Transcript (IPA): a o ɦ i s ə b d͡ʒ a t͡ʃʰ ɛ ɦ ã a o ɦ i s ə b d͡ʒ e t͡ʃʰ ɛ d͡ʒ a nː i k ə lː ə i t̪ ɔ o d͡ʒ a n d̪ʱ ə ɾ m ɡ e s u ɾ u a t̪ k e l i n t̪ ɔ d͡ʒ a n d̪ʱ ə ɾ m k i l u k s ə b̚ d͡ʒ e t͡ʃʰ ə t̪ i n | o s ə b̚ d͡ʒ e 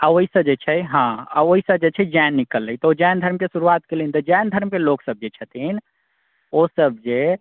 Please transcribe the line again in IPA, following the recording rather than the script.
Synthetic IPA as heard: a o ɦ i s ə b d͡ʒ e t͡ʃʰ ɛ ɦ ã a o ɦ i s ə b d͡ʒ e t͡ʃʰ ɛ d͡ʒ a nː i k ə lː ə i t̪ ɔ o d͡ʒ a n d̪ʱ ə ɾ m k e s u ɾ u a t̪ k e l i n t̪ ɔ d͡ʒ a n d̪ʱ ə ɾ m k e l o k s ə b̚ d͡ʒ e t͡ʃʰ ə t̪ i n | o s ə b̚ d͡ʒ e